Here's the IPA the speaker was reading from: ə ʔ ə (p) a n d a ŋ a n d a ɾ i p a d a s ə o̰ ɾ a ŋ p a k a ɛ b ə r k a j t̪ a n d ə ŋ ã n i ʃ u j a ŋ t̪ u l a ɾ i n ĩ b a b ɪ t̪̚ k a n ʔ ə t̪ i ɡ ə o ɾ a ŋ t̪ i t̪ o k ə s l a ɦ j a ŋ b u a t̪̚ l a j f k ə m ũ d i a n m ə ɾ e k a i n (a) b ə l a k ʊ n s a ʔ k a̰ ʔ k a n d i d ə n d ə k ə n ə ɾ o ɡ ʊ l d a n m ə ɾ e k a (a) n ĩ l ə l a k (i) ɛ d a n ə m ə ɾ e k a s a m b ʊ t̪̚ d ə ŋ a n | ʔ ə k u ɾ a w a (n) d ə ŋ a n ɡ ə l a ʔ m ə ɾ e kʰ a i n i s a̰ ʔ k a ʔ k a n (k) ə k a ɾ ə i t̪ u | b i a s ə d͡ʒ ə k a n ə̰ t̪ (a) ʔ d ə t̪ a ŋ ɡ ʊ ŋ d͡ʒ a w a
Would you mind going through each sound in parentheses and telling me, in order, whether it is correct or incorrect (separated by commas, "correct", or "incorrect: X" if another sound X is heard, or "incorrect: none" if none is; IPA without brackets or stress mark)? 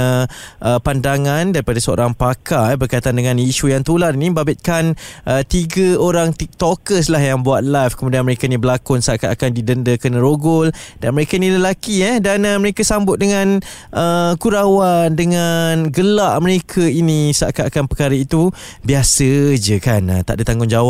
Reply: correct, incorrect: i, incorrect: i, correct, correct, incorrect: p, correct